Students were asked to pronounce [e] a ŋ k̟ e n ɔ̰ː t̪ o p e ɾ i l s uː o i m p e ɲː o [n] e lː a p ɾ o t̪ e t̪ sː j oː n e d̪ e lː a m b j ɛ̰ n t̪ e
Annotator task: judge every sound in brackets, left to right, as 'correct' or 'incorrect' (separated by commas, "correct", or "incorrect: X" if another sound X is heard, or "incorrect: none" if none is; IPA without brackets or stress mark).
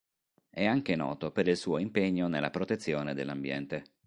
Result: incorrect: ɛ, correct